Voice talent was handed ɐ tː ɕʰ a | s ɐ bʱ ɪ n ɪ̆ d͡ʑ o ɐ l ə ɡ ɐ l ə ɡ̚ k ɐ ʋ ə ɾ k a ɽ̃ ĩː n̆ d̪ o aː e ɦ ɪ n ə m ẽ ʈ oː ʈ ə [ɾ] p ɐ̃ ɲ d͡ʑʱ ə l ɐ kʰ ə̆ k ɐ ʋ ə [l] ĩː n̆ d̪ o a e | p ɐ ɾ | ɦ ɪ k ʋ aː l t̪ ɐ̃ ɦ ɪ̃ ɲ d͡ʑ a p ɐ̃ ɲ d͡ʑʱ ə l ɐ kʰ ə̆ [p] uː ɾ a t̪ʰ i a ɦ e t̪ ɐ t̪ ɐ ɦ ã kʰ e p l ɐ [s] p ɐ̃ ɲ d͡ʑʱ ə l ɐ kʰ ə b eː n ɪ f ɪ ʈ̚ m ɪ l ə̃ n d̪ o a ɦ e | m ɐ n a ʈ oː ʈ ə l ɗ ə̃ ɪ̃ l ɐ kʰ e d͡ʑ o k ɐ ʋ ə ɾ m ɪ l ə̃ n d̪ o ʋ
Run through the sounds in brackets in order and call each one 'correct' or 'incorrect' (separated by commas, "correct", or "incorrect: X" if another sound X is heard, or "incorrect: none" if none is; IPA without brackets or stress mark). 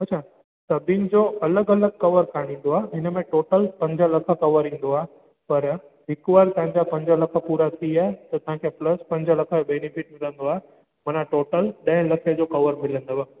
incorrect: l, incorrect: ɾ, correct, correct